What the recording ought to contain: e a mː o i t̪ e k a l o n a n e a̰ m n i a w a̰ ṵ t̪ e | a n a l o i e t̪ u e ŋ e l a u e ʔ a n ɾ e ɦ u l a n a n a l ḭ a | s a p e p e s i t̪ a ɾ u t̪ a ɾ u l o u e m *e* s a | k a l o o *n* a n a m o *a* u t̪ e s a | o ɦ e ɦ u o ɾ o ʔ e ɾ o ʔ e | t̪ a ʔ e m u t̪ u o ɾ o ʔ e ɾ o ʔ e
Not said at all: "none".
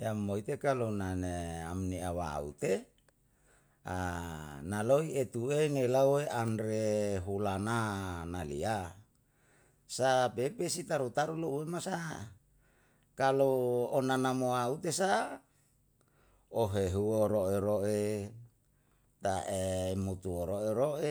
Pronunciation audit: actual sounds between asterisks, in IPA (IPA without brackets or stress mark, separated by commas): a, n, a